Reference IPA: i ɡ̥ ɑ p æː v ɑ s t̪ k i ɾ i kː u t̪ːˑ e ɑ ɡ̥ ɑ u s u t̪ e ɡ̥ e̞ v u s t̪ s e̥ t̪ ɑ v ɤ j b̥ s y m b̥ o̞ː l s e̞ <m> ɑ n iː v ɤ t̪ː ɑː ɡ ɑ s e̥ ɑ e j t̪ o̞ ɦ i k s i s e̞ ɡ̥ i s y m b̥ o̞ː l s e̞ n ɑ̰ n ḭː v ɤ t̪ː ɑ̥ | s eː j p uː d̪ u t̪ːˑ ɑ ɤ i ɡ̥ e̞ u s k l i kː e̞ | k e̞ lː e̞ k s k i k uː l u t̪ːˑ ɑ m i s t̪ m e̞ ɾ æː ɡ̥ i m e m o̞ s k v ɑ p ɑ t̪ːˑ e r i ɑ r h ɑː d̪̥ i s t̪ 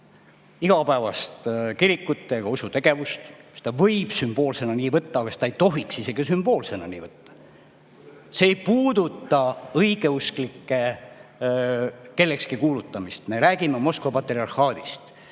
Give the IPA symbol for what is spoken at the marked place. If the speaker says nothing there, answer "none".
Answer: n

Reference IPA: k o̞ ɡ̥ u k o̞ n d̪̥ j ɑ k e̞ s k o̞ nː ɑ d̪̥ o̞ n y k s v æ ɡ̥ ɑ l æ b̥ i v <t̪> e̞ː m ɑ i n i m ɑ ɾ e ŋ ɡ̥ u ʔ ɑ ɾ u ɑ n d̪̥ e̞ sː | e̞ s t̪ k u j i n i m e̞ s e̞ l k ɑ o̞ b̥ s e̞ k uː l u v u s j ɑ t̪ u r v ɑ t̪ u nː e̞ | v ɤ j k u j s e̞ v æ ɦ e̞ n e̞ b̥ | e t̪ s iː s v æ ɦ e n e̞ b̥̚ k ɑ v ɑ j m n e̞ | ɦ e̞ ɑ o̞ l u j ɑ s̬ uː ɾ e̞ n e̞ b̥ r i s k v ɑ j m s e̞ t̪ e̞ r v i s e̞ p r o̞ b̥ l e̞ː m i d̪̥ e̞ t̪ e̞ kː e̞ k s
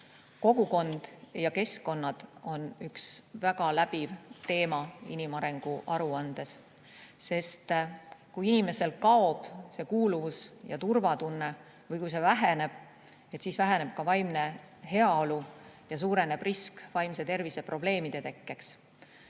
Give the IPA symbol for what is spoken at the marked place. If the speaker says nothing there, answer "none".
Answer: t̪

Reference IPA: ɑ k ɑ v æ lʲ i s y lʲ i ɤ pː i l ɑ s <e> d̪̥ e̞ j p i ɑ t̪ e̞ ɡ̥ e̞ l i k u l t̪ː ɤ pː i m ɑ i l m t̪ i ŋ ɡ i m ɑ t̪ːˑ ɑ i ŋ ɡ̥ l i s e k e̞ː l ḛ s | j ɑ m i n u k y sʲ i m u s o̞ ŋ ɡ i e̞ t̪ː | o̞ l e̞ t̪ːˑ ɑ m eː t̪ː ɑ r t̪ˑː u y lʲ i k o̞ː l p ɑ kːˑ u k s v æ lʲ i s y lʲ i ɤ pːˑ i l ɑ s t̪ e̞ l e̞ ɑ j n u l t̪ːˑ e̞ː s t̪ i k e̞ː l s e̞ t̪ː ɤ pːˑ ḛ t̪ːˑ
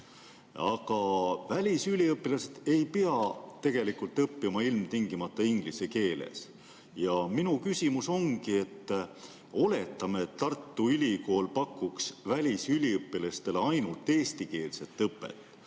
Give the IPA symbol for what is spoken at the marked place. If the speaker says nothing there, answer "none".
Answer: e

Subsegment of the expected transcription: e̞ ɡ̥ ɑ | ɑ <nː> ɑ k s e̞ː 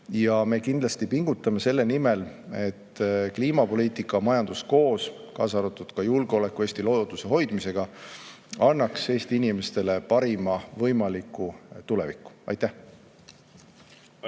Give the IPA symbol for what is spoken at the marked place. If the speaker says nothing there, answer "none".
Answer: nː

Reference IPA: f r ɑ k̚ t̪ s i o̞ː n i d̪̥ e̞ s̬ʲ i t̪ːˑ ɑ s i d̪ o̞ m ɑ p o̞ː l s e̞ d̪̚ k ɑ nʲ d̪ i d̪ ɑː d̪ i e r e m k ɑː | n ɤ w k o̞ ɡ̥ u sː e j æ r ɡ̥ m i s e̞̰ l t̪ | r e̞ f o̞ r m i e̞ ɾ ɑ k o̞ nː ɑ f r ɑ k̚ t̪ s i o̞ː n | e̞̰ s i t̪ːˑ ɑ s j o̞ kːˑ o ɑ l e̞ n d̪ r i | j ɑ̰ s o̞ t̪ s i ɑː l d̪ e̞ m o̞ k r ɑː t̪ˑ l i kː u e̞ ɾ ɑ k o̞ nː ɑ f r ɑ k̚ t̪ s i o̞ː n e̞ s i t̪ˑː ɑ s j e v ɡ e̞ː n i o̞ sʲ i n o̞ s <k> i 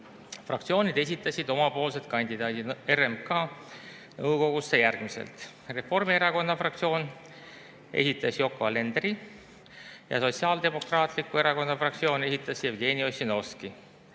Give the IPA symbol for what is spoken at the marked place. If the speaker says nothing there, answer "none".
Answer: k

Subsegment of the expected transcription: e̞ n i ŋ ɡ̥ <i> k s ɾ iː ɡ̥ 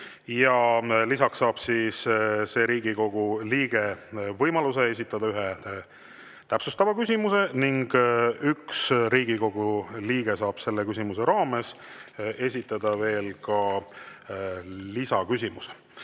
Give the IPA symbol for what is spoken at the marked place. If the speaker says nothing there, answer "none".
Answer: y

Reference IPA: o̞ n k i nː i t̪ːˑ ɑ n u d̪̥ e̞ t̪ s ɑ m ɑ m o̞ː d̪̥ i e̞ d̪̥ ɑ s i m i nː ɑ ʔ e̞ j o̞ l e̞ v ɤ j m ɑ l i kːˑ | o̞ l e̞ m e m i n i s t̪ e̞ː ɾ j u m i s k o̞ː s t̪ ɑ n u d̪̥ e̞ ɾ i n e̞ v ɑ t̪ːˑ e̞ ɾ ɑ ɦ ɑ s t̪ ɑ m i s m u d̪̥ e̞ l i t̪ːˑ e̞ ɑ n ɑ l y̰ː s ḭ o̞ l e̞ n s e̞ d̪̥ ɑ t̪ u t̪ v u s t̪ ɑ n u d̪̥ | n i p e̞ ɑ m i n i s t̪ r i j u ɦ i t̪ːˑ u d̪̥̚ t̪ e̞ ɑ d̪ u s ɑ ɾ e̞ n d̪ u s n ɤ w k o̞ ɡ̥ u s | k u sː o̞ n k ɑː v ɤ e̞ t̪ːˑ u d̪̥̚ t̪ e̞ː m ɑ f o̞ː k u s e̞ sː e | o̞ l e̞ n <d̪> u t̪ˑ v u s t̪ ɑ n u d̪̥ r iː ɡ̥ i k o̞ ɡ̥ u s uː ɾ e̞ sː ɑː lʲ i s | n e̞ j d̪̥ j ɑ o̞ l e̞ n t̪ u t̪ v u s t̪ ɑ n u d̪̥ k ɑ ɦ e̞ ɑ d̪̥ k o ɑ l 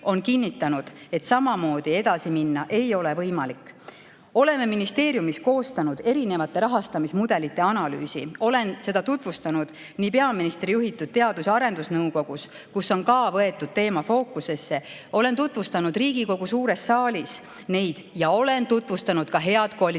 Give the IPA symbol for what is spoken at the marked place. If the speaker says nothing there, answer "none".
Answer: t̪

